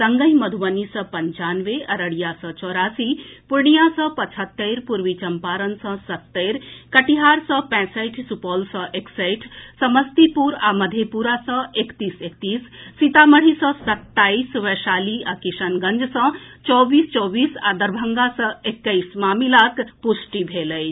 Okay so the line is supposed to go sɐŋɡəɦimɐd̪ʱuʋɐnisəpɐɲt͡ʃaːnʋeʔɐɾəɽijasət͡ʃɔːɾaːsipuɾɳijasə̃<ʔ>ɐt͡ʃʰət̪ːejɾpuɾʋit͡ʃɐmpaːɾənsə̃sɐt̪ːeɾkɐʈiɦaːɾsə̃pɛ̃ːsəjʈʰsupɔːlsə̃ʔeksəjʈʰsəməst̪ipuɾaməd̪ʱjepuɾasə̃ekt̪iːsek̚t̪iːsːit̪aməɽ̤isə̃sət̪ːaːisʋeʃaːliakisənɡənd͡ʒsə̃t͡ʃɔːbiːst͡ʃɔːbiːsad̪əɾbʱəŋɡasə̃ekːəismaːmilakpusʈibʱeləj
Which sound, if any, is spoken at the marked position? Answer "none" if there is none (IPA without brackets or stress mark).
p